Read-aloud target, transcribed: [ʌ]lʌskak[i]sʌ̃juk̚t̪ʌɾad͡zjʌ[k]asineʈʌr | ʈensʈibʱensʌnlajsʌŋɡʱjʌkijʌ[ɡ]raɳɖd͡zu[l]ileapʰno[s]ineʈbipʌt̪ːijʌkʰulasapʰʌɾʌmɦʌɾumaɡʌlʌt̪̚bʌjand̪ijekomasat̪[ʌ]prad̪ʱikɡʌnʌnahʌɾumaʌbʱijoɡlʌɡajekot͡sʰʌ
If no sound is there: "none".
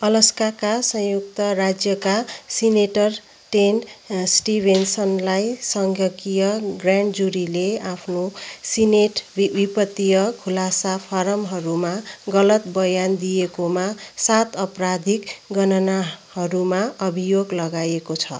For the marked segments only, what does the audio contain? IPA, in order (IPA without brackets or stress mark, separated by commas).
ʌ, a, k, ɡ, ɾ, s, ʌ